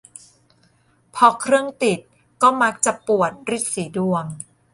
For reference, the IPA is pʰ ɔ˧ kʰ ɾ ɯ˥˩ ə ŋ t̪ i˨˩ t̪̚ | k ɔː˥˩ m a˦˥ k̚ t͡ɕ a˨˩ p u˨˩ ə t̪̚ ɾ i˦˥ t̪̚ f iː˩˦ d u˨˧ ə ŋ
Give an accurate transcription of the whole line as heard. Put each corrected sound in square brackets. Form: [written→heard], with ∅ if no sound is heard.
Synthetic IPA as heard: pʰ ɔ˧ kʰ ɾ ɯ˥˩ ə ŋ t̪ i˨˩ t̪̚ | k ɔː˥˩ m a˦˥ k̚ t͡ɕ a˨˩ p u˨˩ ə t̪̚ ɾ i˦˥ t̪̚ [f→s] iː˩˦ d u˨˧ ə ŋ